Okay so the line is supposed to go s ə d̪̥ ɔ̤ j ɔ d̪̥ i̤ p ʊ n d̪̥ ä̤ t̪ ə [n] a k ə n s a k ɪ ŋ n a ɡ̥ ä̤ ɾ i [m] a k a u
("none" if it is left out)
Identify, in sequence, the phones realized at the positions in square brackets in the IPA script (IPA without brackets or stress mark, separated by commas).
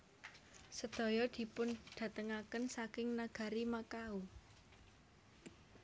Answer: ŋ, m